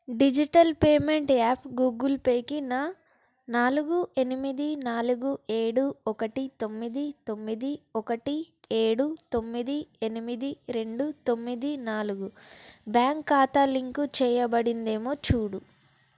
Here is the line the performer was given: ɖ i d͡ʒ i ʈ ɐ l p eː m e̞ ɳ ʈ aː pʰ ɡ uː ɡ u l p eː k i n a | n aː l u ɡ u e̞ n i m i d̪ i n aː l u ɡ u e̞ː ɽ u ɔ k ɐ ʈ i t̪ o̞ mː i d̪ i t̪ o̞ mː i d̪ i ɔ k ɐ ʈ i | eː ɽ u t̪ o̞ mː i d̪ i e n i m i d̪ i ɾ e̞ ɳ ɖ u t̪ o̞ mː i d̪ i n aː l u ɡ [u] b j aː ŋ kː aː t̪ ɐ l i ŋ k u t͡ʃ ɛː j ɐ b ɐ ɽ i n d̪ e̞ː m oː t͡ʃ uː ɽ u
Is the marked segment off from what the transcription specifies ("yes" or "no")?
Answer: no